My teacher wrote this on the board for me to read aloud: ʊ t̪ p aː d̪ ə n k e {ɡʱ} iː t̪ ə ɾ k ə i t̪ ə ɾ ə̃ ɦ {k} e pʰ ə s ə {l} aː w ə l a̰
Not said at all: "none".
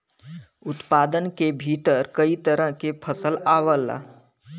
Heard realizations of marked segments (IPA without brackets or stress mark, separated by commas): bʱ, k, l